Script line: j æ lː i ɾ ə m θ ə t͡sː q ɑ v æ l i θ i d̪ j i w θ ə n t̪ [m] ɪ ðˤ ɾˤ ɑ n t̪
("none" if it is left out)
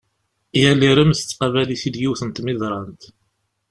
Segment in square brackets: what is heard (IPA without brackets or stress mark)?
m